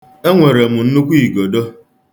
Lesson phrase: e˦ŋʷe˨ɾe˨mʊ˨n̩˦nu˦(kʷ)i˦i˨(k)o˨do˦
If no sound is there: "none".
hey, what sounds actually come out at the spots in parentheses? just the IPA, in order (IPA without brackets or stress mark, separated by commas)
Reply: kʷ, ɡ